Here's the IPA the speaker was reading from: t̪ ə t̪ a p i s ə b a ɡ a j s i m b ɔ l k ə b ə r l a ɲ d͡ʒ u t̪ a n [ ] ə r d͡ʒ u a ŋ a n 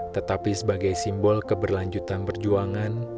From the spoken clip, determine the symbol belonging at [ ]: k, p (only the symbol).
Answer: p